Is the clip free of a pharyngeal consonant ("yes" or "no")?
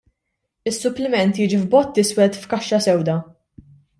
yes